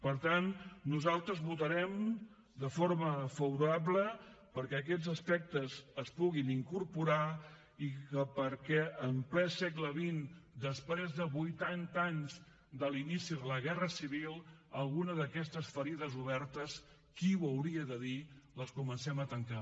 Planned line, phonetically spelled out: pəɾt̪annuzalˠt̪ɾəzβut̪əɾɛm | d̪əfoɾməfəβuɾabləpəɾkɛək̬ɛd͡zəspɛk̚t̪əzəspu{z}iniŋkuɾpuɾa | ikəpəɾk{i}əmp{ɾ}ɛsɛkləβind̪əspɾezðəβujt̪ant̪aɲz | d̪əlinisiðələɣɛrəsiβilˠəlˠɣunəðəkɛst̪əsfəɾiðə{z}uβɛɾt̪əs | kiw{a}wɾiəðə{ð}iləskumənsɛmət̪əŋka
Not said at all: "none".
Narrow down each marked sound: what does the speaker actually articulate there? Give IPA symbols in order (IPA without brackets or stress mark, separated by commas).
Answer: ɣ, ɛ, l, z, ə, ð